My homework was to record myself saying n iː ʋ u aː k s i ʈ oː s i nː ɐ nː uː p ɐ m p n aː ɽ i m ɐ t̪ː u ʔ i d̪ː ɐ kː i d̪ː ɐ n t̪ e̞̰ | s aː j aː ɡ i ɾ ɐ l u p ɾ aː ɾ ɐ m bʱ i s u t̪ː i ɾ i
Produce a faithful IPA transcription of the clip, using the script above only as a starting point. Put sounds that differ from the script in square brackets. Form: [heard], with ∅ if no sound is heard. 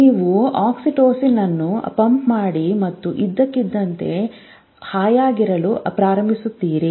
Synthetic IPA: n iː ʋ u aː k s i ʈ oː s i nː ɐ nː [u] p ɐ m p [m] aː ɽ i m ɐ t̪ː u ʔ i d̪ː ɐ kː i d̪ː ɐ n t̪ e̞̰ | [h] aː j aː ɡ i ɾ ɐ l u p ɾ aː ɾ ɐ m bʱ i s u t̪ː [iː] ɾ i